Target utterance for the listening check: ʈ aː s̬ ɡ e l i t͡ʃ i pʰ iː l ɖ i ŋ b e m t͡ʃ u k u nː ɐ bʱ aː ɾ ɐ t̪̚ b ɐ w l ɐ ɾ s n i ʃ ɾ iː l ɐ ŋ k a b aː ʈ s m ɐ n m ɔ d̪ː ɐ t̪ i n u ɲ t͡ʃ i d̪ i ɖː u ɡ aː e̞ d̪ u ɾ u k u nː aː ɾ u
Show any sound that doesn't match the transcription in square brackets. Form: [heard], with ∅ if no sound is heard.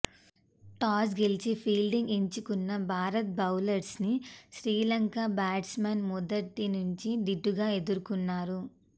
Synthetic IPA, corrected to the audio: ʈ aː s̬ ɡ e l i t͡ʃ i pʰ iː l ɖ i ŋ [ɡ] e [ɲ] t͡ʃ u k u nː ɐ bʱ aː ɾ ɐ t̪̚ b ɐ w l ɐ ɾ s n i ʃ ɾ iː l ɐ ŋ k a b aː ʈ s m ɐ n m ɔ [d̪] ɐ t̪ i n u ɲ t͡ʃ i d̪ i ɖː u ɡ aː e̞ d̪ u ɾ u k u nː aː ɾ u